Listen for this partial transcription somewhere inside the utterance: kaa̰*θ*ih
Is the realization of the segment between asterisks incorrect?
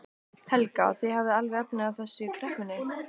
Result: no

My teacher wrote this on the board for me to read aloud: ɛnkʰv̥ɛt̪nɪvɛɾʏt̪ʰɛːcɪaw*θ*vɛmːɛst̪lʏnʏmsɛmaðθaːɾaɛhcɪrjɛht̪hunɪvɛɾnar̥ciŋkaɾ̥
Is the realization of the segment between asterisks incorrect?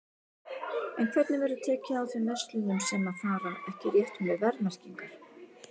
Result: no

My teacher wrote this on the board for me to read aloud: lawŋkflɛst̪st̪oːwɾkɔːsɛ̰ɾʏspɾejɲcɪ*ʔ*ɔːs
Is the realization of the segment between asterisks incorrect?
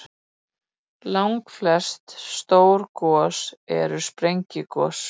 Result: yes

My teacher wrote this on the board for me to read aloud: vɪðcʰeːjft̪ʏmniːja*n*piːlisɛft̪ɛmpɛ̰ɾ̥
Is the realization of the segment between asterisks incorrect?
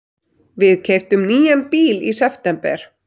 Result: no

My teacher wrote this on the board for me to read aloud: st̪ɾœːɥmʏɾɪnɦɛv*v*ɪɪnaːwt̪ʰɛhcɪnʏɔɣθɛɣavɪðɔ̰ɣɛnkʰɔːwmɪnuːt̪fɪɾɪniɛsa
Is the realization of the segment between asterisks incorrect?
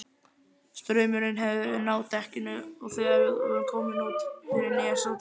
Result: yes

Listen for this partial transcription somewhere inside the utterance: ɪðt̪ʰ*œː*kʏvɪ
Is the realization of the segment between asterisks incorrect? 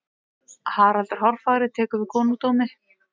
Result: yes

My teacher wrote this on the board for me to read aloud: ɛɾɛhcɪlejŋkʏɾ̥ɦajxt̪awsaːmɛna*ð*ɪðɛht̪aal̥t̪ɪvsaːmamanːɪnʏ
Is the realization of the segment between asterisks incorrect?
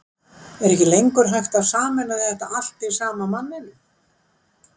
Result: no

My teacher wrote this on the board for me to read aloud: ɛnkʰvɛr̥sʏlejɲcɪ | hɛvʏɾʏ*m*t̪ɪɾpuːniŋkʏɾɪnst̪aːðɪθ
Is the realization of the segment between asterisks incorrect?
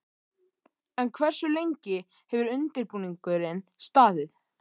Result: yes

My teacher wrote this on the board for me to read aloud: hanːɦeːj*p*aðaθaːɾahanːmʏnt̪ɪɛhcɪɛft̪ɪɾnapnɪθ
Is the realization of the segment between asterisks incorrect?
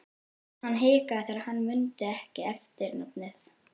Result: yes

